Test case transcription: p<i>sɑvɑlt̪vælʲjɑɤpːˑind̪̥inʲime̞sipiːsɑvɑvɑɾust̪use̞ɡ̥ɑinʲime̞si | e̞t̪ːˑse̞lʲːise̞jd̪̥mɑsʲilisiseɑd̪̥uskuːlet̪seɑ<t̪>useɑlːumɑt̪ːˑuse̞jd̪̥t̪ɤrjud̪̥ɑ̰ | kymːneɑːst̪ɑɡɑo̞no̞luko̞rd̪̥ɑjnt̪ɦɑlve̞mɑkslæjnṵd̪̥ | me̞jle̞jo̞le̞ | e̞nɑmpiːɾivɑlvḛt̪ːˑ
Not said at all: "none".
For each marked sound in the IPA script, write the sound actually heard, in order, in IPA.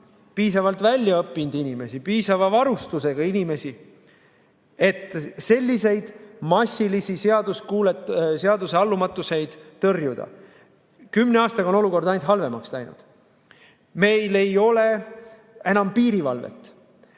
iː, d̪

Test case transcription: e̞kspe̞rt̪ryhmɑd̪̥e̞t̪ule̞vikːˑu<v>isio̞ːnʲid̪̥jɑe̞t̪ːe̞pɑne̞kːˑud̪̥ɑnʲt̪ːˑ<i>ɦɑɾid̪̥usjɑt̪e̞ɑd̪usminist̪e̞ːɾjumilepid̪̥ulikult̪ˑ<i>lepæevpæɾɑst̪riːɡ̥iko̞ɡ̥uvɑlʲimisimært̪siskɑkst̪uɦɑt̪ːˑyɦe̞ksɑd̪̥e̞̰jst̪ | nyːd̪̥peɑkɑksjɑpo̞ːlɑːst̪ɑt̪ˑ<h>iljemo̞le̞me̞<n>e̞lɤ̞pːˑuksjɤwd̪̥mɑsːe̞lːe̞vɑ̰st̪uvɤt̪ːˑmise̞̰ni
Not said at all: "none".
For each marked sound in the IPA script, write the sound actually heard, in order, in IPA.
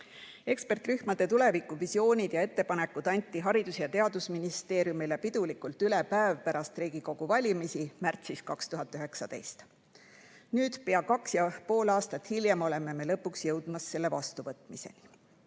v, i, y, h, m

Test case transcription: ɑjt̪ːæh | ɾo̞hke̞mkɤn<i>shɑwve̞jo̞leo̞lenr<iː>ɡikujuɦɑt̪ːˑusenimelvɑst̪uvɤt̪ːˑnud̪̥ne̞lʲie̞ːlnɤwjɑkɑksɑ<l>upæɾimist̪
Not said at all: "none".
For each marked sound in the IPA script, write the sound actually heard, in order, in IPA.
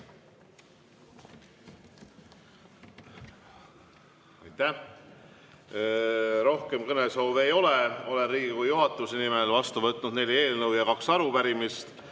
e, iː, ɾ

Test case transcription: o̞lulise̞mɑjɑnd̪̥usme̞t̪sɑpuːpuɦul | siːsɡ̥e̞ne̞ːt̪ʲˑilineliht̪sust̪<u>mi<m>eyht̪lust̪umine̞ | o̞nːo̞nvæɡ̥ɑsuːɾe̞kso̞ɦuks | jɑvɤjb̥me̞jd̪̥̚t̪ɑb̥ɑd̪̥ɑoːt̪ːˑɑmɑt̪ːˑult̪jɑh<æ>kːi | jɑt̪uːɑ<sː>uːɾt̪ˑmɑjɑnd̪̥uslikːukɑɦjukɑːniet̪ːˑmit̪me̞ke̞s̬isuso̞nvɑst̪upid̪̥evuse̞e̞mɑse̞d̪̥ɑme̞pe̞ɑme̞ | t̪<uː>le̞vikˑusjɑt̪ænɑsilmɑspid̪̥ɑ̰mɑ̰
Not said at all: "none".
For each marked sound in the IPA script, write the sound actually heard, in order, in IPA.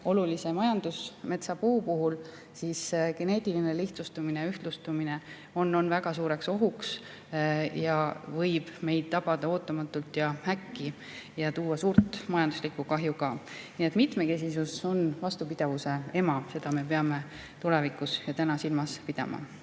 u, n, æ, s, u

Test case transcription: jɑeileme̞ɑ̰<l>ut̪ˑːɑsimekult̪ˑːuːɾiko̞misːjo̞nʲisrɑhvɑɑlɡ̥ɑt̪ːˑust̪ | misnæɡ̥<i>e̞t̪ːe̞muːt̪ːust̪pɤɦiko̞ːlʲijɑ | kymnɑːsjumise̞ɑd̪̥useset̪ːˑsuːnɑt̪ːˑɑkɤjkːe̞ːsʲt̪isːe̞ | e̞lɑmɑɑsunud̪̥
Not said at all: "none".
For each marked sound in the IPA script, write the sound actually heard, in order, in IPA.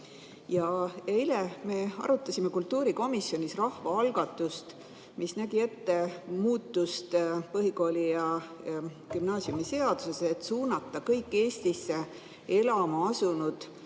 ɾ, i

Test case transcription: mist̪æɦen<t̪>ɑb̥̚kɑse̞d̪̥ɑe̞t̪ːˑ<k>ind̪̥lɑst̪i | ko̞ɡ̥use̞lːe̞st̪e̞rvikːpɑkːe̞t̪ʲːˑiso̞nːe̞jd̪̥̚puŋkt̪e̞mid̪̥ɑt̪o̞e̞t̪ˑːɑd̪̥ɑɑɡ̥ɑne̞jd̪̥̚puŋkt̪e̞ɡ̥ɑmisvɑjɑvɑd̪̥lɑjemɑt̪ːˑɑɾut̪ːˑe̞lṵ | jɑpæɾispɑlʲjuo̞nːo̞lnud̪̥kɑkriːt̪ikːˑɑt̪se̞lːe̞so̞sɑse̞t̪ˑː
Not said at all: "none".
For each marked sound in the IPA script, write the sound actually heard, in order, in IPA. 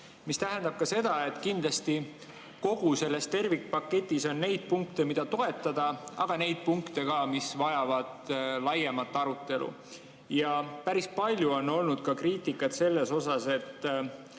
d̪, k

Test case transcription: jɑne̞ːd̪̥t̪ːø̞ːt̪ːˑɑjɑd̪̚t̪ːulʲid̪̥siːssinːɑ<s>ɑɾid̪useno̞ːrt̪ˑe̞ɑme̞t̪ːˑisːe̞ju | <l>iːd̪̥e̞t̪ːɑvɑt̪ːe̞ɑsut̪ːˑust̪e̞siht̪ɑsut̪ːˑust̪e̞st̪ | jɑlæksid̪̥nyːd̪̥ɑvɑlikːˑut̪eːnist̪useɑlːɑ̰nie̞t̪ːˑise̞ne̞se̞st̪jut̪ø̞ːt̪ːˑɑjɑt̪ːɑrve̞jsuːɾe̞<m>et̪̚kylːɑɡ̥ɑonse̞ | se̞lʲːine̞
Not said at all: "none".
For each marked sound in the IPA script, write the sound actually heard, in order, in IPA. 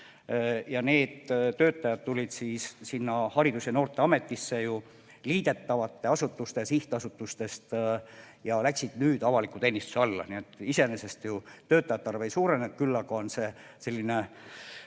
h, l, n

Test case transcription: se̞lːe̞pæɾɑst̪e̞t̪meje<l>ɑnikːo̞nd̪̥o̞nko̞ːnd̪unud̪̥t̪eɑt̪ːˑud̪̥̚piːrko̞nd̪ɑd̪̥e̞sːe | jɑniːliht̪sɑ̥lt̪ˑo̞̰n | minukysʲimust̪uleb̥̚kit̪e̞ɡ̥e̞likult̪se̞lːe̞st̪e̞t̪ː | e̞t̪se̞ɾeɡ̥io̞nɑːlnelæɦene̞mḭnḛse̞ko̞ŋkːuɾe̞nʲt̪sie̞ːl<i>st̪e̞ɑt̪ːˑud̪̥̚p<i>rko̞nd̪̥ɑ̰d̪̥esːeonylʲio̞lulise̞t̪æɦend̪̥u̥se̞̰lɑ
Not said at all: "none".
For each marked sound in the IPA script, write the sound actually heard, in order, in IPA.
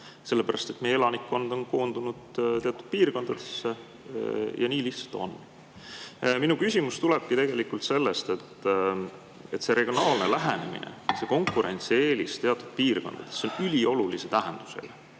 l, i, iː

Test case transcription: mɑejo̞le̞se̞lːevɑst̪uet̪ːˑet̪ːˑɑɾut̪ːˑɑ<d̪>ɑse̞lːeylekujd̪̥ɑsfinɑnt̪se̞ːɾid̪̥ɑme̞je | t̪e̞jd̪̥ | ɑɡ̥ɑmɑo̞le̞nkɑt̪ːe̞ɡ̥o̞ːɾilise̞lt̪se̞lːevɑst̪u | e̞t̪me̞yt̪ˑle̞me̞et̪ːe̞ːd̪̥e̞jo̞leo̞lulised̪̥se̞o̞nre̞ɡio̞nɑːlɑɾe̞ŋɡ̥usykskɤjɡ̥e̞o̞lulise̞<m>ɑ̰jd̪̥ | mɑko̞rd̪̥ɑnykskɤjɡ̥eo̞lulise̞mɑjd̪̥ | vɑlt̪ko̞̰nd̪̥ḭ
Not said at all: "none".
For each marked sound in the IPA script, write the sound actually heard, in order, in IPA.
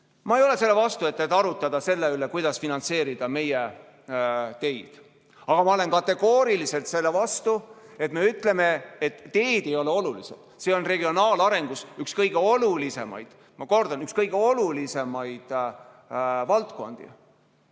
d̪, m

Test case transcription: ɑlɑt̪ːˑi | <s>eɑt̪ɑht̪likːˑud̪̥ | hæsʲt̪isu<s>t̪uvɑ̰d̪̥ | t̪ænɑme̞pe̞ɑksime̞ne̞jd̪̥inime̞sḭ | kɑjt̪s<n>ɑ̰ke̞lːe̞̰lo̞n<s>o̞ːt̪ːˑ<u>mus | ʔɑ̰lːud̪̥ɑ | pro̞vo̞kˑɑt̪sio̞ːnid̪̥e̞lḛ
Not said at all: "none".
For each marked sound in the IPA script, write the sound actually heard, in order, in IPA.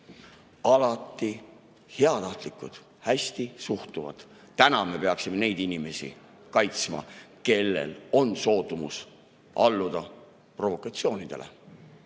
h, h, m, s, u

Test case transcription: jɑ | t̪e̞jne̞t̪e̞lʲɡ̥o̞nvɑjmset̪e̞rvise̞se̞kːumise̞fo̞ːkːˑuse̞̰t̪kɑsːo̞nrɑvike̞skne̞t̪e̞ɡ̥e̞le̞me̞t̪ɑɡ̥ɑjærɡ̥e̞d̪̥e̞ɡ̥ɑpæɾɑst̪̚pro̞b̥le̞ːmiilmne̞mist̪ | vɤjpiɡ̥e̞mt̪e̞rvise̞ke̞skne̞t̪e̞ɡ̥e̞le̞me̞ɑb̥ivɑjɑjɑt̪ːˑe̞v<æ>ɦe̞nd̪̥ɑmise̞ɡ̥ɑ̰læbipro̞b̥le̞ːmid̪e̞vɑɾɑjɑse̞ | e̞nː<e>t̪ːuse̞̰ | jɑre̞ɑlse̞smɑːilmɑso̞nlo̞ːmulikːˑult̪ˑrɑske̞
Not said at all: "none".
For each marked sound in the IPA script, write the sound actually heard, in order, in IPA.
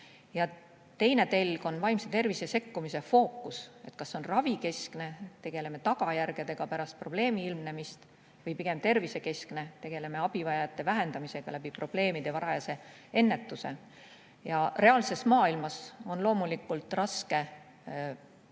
æ, e

